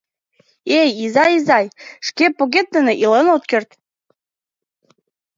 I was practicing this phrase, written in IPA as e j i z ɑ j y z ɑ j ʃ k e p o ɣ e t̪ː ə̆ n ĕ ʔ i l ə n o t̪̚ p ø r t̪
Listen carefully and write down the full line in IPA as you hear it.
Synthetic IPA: e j i z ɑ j i z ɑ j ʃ k e p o ɣ e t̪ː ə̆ n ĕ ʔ i l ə n o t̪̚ k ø r t̪